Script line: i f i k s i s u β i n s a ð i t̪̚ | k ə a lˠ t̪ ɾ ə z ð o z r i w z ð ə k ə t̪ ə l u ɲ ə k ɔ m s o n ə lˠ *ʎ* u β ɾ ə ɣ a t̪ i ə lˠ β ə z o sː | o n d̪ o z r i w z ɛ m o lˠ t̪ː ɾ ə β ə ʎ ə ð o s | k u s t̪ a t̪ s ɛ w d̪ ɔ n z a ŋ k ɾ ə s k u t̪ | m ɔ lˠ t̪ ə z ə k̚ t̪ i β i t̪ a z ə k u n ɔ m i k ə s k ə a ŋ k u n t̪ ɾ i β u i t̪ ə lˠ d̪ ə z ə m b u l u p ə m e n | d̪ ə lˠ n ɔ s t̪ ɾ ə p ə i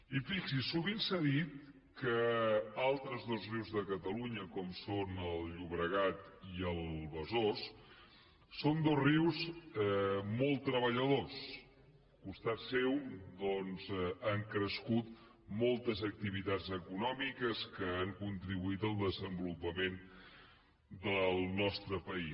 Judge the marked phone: correct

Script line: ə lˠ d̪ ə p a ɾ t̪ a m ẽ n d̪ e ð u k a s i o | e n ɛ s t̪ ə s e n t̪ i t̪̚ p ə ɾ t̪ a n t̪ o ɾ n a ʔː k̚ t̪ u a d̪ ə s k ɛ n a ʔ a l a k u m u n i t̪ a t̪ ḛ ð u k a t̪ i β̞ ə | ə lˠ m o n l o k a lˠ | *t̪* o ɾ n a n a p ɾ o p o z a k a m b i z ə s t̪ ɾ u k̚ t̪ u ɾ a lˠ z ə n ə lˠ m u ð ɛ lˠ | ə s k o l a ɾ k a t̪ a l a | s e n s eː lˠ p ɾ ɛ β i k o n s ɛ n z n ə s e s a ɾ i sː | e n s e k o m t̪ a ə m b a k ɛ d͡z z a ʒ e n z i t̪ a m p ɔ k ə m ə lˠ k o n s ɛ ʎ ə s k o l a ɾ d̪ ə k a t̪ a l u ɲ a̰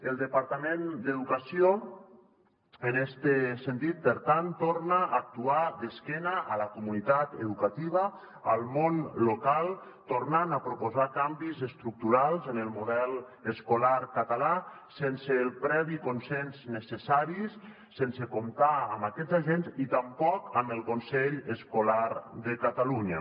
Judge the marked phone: correct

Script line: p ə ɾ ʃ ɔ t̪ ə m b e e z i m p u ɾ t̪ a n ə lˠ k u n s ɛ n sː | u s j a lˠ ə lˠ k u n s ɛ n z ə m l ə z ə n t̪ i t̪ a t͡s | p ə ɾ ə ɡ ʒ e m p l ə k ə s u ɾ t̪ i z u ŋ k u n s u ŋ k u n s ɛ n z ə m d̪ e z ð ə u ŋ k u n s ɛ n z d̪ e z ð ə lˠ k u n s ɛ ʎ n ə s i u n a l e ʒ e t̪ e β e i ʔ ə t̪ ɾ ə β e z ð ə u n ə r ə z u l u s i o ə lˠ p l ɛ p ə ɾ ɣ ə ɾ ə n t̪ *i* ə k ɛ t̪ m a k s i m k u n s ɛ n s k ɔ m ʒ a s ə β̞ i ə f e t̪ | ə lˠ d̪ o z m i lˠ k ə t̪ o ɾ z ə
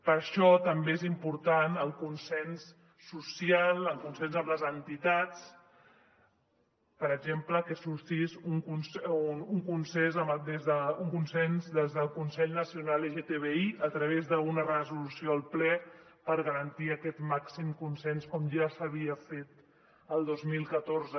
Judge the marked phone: correct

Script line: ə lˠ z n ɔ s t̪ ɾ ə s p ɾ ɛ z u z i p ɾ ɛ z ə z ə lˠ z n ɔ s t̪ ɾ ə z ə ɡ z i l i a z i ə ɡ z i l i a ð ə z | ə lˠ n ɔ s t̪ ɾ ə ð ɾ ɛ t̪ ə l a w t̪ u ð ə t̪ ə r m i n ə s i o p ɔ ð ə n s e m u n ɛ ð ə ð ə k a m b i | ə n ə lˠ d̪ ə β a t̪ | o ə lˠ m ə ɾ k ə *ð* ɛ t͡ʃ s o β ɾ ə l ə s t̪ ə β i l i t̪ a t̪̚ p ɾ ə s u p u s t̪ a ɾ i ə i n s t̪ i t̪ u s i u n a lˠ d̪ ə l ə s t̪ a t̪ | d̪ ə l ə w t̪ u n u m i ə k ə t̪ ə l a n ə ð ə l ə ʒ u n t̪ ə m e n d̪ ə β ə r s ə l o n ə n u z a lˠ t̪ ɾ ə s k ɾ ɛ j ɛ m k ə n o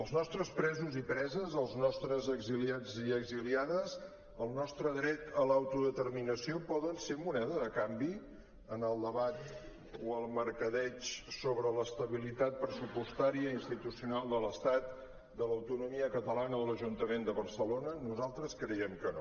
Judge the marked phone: correct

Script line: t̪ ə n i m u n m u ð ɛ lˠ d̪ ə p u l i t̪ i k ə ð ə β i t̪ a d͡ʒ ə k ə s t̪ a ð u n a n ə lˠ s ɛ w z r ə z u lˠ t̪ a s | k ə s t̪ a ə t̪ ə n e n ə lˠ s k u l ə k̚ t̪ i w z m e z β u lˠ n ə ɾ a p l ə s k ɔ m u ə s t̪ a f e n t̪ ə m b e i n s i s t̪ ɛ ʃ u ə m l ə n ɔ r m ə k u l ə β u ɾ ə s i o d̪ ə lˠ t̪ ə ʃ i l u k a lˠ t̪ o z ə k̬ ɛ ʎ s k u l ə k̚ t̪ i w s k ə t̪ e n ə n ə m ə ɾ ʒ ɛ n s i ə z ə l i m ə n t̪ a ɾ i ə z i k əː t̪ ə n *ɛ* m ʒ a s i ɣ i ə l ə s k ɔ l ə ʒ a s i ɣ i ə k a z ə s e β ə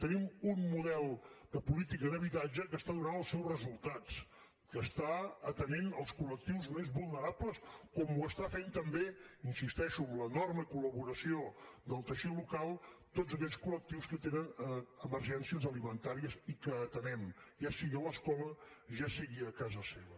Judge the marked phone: correct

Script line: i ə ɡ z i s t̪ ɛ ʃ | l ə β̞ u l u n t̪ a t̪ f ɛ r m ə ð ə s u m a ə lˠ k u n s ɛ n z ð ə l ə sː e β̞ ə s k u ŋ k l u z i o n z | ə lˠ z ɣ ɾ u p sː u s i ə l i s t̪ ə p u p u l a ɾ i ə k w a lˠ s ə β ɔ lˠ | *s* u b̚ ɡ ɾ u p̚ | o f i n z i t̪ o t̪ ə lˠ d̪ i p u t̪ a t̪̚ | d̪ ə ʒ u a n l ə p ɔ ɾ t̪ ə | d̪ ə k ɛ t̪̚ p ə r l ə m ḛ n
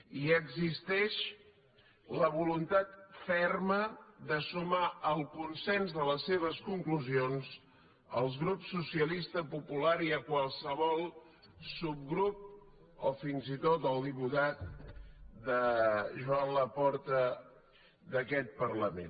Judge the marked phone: correct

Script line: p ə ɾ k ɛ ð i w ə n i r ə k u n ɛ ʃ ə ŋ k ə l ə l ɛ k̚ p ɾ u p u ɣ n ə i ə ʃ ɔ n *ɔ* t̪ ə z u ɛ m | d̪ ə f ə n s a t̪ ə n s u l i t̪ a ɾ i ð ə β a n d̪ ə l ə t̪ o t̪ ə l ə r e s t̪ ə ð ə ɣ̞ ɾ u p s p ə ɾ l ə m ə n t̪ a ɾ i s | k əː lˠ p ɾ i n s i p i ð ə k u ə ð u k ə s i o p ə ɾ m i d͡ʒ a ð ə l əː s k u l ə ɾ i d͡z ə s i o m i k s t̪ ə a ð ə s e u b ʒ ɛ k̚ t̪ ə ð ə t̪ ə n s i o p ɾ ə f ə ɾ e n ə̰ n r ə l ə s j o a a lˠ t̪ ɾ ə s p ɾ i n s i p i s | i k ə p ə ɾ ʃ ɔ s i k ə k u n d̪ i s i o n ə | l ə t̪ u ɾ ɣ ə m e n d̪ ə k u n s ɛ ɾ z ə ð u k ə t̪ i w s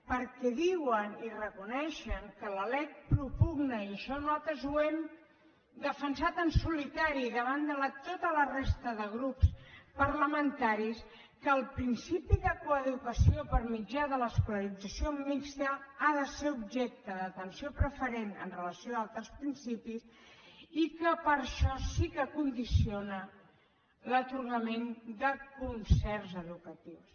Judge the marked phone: correct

